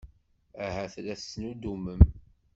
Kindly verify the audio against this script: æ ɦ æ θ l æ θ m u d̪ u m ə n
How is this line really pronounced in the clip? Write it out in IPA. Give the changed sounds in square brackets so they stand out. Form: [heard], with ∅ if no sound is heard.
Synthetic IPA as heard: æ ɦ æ θ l æ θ [n] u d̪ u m ə [m]

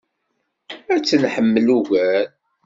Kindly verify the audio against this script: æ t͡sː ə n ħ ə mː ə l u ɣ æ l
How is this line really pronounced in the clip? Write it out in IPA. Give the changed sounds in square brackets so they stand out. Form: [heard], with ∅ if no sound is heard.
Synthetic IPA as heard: æ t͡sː ə n ħ ə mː ə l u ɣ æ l

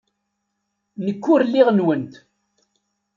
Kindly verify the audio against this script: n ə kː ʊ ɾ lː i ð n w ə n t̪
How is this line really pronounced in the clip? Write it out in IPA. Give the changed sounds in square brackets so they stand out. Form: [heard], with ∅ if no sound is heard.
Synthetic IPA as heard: n ə kː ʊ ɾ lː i [ʁ] n w ə n t̪

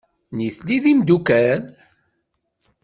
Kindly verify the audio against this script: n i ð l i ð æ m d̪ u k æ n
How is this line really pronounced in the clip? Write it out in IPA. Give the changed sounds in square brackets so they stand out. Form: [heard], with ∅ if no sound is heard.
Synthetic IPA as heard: n i [θ] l i ð [i] m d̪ u k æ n

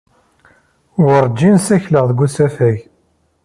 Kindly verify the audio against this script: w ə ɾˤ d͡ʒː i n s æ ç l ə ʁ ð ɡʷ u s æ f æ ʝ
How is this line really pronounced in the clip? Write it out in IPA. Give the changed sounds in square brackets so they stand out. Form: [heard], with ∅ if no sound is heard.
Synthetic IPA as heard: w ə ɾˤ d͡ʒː i n s æ ç l ə ʁ ð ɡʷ u s æ f æ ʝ

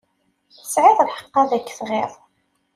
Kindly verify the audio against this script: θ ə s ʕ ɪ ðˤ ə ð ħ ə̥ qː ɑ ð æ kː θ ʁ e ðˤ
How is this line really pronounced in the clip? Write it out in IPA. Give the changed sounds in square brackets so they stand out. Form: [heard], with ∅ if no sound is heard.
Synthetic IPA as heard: θ ə s ʕ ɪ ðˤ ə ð ħ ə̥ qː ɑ ð æ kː θ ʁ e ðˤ

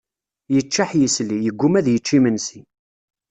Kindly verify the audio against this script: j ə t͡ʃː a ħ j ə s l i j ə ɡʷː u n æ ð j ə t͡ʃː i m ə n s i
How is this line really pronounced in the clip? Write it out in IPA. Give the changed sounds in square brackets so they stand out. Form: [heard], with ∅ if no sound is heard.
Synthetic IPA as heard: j ə t͡ʃː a ħ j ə s l i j ə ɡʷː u [m] æ ð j ə t͡ʃː i m ə n s i

